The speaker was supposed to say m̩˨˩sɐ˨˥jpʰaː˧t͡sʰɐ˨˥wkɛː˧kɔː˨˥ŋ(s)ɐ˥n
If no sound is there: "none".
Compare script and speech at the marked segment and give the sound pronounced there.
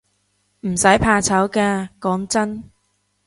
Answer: t͡s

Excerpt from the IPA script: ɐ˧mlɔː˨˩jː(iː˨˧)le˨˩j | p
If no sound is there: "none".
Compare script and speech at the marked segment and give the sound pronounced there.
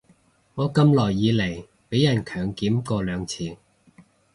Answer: iː˨˧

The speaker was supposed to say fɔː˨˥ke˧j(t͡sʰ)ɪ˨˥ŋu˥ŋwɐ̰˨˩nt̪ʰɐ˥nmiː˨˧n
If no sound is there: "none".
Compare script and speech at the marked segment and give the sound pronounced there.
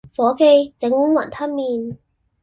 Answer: t͡s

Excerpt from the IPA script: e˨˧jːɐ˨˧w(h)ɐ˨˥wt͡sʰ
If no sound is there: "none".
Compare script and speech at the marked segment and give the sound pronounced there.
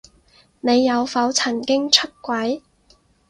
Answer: f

